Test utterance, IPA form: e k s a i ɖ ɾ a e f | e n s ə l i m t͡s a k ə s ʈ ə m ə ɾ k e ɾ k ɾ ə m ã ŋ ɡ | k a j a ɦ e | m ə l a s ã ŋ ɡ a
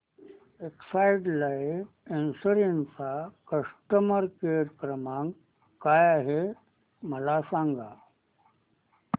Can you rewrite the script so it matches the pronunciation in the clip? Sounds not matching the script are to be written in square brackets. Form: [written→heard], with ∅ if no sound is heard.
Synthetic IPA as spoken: e k s a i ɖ [ɾ→l] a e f | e n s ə [l→ɾ] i [m→n] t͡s a k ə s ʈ ə m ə ɾ k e ɾ k ɾ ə m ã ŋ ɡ | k a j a ɦ e | m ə l a s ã ŋ ɡ a